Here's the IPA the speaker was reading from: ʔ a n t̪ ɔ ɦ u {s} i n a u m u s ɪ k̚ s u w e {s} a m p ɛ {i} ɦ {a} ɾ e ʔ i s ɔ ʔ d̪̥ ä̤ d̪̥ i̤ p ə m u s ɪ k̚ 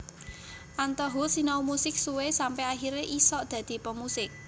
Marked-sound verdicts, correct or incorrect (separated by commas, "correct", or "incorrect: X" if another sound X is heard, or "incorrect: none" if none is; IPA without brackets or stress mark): correct, correct, incorrect: a, incorrect: i